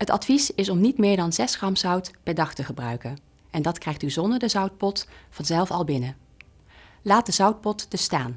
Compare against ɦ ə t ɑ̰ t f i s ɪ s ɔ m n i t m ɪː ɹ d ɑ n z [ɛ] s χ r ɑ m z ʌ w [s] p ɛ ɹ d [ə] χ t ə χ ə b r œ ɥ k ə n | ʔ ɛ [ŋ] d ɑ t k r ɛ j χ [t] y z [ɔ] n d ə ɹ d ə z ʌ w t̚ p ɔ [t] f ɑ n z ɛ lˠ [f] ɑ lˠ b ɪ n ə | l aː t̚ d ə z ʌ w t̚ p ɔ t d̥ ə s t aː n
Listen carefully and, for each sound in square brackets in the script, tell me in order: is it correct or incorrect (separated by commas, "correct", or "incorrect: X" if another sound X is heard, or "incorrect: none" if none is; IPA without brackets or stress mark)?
correct, incorrect: t, incorrect: ɑ, incorrect: n, correct, correct, correct, correct